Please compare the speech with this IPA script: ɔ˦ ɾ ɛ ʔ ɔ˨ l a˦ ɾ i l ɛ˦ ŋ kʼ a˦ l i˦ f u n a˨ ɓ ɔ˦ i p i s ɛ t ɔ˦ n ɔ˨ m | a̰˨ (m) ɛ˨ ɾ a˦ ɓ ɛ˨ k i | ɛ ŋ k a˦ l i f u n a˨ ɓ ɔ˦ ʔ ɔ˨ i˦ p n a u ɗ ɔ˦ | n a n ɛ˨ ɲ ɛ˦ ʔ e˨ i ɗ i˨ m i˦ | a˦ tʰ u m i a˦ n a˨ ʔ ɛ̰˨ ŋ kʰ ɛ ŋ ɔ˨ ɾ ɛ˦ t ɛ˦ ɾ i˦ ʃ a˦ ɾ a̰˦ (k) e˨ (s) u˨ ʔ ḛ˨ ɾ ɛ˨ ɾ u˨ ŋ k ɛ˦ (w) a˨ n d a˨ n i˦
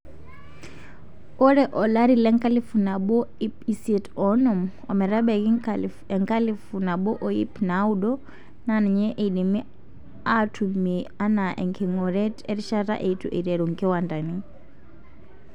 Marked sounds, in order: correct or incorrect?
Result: correct, incorrect: ʔ, incorrect: t, correct

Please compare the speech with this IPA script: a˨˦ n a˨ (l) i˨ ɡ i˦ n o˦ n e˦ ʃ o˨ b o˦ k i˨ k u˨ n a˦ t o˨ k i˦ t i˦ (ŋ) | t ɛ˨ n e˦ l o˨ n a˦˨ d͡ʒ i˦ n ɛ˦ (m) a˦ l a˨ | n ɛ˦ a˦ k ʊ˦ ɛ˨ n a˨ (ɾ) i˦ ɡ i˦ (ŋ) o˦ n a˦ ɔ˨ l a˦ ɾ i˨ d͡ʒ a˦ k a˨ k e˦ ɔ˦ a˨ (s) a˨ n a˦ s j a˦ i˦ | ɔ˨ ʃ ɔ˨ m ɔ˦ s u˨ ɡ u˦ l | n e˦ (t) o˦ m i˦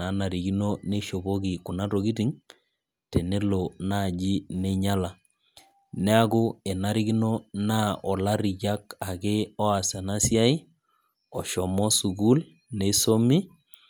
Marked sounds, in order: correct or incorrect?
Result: incorrect: ɾ, correct, incorrect: ɲ, correct, incorrect: n, correct, incorrect: s

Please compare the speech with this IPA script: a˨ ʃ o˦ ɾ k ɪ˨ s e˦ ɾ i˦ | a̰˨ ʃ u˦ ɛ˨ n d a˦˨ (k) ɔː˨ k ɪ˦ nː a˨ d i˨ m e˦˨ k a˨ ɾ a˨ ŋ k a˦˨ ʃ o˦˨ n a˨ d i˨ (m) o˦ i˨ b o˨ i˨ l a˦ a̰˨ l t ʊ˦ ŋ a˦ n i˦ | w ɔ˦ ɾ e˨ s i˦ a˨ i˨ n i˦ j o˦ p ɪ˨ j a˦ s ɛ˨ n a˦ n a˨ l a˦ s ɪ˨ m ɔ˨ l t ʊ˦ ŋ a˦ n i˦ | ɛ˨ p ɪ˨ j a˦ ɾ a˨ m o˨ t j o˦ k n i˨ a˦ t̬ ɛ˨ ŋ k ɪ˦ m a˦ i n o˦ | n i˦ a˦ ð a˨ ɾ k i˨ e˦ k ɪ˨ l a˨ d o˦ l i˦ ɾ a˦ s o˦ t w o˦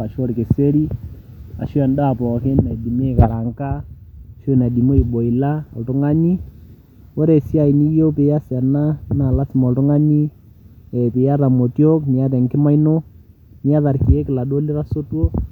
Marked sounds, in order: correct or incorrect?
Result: incorrect: p, correct

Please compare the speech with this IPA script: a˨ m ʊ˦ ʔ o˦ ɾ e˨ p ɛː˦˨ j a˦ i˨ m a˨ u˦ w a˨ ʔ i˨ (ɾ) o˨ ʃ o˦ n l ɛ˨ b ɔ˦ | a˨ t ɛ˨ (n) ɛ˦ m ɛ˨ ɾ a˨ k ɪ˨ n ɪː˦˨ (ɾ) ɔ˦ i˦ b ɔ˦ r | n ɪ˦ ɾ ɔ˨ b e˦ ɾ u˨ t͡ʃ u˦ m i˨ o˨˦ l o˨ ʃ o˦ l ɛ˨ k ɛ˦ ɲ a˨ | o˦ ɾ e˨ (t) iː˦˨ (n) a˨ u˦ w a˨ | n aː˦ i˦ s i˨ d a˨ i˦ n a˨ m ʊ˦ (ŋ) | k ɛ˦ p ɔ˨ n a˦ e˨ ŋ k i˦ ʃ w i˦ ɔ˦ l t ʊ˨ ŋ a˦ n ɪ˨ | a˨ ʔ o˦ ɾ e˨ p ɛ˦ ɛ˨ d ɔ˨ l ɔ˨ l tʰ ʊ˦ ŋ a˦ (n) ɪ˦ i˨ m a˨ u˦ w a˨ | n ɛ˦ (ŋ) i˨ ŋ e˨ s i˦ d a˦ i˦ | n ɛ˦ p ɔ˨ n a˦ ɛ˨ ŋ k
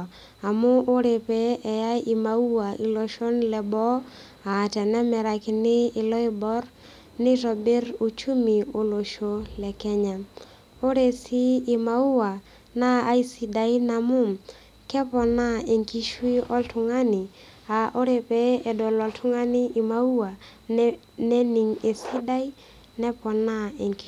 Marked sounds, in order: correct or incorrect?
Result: incorrect: l, correct, incorrect: l, incorrect: s, incorrect: m, incorrect: m, correct, incorrect: n

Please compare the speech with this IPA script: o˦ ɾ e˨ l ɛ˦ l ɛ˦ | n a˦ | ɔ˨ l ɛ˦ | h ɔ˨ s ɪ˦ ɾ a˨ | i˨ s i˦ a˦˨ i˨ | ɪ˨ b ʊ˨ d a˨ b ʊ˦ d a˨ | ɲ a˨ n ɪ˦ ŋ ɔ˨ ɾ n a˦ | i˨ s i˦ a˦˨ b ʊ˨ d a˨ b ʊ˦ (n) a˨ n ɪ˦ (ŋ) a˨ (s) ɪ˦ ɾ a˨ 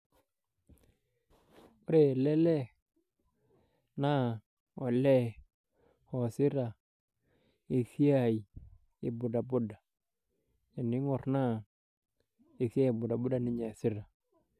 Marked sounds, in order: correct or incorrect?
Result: incorrect: d, incorrect: ɲ, correct

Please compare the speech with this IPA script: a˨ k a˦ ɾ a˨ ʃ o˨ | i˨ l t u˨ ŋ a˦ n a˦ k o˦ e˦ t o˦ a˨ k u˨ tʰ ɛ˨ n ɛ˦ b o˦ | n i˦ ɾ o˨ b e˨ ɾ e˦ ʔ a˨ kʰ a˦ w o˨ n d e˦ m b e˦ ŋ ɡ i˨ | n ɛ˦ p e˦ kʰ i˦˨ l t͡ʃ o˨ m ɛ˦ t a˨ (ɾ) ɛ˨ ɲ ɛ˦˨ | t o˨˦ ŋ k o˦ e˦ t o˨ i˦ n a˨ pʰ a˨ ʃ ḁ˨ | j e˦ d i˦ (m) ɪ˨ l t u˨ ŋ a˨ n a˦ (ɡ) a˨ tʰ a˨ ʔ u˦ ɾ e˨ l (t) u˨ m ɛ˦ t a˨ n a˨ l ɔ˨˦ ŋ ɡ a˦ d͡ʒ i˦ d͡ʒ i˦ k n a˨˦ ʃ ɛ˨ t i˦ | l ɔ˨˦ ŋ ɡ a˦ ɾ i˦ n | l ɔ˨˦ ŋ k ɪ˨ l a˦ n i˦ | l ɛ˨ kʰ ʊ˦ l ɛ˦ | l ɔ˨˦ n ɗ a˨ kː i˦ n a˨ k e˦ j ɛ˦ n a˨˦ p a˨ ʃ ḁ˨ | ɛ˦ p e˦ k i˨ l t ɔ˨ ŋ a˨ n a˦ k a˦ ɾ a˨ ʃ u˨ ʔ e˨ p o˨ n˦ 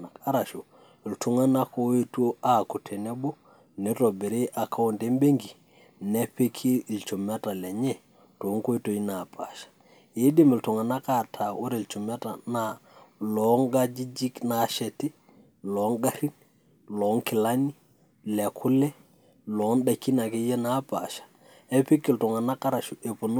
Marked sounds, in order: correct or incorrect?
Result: incorrect: l, correct, incorrect: k, incorrect: t͡ʃ

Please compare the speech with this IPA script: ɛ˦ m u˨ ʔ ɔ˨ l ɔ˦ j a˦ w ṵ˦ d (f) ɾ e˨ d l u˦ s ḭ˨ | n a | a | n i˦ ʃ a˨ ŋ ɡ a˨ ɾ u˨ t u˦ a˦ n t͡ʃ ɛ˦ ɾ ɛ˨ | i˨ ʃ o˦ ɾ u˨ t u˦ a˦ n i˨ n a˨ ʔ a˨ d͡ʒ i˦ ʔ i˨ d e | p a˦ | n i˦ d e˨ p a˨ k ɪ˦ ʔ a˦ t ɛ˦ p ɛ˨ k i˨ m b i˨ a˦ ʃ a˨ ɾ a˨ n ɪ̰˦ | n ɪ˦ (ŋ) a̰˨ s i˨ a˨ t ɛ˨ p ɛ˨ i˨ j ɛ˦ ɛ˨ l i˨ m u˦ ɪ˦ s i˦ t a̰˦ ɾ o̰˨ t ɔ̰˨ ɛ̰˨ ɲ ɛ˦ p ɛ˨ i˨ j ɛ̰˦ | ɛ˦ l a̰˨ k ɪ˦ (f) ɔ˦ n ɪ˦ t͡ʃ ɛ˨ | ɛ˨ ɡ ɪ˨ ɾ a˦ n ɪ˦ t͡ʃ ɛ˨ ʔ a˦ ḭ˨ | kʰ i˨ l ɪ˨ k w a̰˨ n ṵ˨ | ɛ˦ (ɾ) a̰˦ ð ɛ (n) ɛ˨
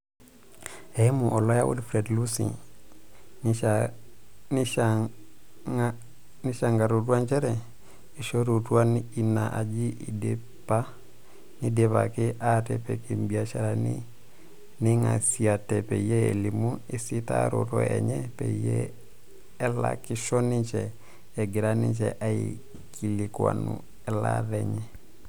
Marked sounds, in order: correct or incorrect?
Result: correct, correct, incorrect: ʃ, incorrect: l, incorrect: ɲ

